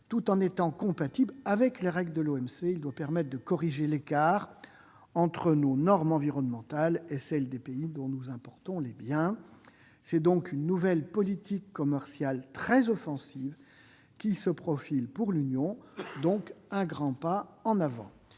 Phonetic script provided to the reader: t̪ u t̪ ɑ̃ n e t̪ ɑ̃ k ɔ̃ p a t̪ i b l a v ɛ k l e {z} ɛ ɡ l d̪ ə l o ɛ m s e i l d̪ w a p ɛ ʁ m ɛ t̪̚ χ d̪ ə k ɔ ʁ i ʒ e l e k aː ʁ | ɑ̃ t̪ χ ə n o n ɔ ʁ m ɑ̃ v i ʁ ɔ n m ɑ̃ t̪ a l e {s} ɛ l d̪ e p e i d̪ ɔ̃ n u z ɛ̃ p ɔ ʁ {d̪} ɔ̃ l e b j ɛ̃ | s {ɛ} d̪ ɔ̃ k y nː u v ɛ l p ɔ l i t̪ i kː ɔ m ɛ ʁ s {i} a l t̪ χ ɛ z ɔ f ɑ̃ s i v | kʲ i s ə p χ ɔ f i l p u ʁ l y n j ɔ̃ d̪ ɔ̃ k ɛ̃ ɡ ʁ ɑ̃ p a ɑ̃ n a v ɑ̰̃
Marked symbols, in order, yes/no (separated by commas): no, yes, no, yes, no